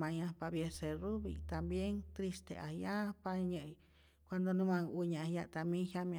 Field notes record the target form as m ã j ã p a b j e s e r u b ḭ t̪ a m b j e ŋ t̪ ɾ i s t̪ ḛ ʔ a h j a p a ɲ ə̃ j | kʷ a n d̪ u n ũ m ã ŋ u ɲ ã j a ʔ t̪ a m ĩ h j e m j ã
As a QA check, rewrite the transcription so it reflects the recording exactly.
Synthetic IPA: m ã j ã p a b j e s e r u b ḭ t̪ a m b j e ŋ t̪ ɾ i s t̪ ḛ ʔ a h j a p a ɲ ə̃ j | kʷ a n d̪ o n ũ m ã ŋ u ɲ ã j a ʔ t̪ a m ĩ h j a m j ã